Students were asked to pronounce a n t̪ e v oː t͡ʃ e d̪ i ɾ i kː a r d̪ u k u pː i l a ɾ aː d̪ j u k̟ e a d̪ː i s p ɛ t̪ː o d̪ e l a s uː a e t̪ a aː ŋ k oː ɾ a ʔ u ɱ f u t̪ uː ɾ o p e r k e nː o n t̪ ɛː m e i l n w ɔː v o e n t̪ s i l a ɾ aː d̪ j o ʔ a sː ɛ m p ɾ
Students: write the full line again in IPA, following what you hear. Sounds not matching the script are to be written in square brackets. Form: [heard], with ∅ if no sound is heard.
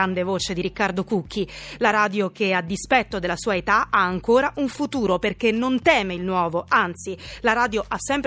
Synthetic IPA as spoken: a n [d̪] e v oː t͡ʃ e d̪ i ɾ i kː a r d̪ [o] k u [kː] i l a ɾ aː d̪ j [o] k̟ e a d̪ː i s p ɛ t̪ː o d̪ e l a s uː a e t̪ a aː ŋ k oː ɾ a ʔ u ɱ f u t̪ uː ɾ o p e r k e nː o n t̪ ɛː m e i l n w ɔː v o [a] n t̪ s i l a ɾ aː d̪ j o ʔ a sː ɛ m p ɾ